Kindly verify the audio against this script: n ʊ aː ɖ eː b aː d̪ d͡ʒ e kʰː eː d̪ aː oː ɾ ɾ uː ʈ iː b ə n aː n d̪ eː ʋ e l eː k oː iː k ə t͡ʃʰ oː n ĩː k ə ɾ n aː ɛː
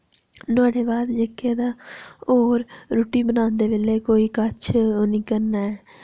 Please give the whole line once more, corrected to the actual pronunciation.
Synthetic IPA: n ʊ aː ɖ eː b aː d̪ d͡ʒ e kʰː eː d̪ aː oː ɾ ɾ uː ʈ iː b ə n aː n d̪ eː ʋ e l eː k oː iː k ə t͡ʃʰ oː n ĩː k ə ɾ n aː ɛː